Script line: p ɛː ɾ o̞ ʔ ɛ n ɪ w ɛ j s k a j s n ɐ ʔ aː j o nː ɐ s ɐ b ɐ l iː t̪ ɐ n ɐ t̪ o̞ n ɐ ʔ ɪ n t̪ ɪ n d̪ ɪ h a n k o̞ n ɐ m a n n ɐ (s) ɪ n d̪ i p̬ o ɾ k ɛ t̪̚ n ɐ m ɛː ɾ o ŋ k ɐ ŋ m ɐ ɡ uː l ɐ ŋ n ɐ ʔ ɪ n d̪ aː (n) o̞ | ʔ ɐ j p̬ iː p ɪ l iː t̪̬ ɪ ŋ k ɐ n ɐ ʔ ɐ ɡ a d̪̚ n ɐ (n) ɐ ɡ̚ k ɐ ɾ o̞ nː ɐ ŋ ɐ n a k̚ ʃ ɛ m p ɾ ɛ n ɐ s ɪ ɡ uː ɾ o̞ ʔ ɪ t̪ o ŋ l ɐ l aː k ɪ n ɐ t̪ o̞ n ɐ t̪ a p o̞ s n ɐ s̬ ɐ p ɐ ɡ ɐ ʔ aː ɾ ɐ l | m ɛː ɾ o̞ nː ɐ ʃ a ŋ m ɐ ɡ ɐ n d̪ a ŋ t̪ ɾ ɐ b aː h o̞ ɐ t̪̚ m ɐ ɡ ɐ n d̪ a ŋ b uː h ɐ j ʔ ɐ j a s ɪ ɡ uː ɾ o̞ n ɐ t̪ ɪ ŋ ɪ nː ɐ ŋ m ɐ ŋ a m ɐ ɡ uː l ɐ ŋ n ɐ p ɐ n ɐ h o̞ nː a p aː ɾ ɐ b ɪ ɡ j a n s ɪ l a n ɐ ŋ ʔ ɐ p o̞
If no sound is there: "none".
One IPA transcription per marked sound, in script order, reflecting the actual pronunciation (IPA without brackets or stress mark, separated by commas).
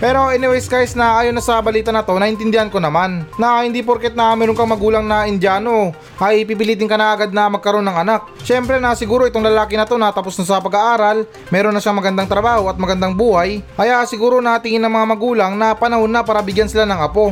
h, n, m